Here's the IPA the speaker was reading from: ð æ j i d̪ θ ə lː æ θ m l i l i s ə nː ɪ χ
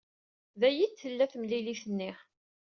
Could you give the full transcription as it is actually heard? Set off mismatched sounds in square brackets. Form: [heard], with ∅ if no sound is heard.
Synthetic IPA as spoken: ð æ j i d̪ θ ə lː æ θ m l i l i [θ] ə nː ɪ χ